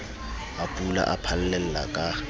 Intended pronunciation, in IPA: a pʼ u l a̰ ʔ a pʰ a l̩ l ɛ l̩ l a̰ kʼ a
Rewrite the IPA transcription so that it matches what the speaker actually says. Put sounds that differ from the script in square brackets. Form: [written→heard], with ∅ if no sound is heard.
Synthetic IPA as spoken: a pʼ u l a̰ ʔ a pʰ a l̩ l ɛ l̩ l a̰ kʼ a